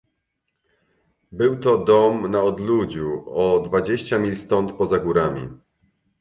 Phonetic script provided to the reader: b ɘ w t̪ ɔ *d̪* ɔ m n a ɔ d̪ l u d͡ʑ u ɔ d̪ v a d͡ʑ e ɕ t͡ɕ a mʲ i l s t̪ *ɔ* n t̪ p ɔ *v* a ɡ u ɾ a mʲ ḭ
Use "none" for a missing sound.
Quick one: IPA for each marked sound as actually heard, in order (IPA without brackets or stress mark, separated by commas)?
d̪, ɔ, z